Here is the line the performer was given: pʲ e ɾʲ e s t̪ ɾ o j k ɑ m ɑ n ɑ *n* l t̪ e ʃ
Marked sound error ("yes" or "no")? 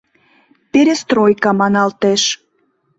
yes